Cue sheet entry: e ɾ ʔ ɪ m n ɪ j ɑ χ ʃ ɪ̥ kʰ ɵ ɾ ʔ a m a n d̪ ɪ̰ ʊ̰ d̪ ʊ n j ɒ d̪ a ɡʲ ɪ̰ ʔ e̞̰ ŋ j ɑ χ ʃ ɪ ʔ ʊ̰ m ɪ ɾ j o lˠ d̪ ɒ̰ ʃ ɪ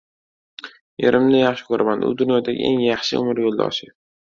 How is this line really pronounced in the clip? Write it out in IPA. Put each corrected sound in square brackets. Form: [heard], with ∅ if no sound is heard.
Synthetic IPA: e ɾ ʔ ɪ m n ɪ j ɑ χ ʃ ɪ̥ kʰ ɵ ɾ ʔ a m a n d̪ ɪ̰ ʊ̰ d̪ ʊ n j ɒ d̪ a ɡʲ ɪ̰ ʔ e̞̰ ŋ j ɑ χ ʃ ɪ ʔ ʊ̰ m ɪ ɾ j o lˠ d̪ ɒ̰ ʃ ɪ